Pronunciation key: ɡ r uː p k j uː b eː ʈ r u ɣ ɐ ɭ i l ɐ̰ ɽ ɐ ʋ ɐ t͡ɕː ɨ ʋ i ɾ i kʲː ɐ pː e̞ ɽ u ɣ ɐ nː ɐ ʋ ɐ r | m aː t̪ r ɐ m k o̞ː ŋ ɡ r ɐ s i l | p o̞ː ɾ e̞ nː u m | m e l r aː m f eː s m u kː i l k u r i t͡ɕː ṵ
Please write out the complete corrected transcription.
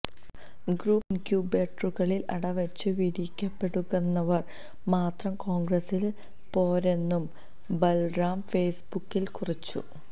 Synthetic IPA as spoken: ɡ r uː p k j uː b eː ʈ r u ɣ ɐ ɭ i l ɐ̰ ɽ ɐ ʋ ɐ t͡ɕː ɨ ʋ i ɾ i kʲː ɐ pː e̞ ɽ u ɣ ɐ nː ɐ ʋ ɐ r | m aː t̪ r ɐ m k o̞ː ŋ ɡ r ɐ s i l | p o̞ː ɾ e̞ nː u m | b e l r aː m f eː s b u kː i l k u r i t͡ɕː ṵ